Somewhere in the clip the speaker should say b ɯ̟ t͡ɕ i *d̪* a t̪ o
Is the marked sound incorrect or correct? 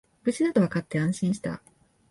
correct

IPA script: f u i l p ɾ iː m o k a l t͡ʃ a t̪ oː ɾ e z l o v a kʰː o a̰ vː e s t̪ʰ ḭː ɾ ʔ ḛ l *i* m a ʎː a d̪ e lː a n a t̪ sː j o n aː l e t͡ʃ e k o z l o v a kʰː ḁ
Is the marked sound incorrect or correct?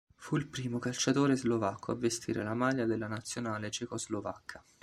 incorrect: a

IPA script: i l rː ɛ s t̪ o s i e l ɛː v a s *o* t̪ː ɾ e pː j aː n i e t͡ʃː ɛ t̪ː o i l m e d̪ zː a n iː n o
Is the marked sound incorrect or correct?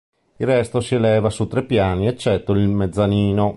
incorrect: u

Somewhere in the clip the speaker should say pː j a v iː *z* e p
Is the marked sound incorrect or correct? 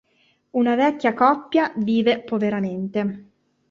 incorrect: v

